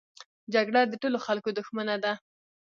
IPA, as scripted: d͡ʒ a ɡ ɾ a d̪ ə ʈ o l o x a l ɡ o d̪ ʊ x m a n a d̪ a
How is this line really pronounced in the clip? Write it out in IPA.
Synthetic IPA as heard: d͡ʒ a ɡ ɽ a d̪ ə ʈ o l o x a l k o d̪ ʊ x m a n a d̪ a